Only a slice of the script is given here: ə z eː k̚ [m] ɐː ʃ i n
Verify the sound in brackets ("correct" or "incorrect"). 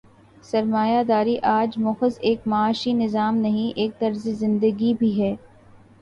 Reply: correct